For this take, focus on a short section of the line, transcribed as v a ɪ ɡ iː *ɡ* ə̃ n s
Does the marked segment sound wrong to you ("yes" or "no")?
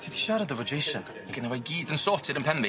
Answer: yes